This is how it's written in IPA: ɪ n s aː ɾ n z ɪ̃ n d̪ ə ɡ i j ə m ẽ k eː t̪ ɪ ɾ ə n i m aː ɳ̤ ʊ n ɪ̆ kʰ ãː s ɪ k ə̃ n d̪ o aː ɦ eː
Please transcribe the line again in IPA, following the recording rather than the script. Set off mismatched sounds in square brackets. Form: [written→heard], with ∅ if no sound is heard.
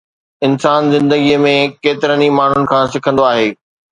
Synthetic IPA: ɪ n s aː [ɾ→∅] n z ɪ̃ n d̪ ə ɡ i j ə m ẽ k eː t̪ ɪ ɾ ə n i m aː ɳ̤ ʊ n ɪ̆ kʰ ãː s ɪ [k→kʰ] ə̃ n d̪ o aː ɦ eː